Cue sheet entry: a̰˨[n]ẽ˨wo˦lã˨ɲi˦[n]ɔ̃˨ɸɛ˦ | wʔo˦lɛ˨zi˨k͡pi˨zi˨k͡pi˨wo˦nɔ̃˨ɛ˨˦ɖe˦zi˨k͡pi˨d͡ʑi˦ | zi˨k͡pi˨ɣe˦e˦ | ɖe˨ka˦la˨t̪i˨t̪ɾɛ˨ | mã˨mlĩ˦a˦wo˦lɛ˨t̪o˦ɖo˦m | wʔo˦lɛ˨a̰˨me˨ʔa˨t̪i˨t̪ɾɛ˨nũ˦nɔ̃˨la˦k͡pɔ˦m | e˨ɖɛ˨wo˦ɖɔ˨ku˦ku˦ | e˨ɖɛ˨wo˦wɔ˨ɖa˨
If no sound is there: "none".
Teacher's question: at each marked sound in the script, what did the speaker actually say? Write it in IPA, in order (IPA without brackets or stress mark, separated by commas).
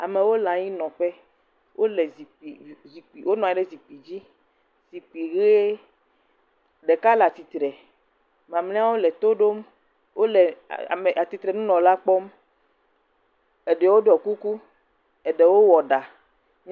m, n